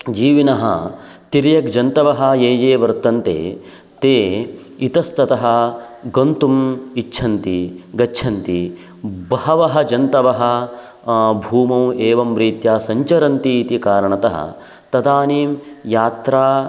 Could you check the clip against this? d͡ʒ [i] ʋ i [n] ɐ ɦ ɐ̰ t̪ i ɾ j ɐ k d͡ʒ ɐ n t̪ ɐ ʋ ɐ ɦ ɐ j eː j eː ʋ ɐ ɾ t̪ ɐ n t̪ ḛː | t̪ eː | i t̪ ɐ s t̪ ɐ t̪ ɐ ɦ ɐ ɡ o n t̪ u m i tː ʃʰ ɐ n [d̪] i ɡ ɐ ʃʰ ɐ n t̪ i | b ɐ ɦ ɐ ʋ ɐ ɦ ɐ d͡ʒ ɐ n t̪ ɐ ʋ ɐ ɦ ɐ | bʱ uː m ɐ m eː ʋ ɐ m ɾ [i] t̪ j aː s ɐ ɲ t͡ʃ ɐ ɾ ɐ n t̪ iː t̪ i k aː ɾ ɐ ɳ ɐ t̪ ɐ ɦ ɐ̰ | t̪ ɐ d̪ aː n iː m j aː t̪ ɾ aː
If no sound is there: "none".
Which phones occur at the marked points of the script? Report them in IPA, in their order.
iː, n, t̪, iː

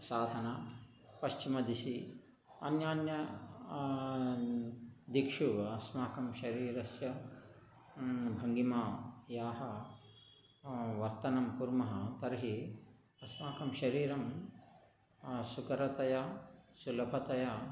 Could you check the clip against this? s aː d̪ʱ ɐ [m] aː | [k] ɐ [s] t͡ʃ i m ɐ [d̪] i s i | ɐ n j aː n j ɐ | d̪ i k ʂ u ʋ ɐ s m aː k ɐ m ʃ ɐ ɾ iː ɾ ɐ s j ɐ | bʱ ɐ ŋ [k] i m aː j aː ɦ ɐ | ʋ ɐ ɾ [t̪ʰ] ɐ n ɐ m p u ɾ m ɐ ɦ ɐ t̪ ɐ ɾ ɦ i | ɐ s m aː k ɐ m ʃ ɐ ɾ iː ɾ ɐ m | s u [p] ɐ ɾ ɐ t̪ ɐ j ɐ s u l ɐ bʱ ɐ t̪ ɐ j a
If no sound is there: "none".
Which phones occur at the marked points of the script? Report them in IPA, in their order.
n, p, ʃ, d̪, ɡ, t̪, k

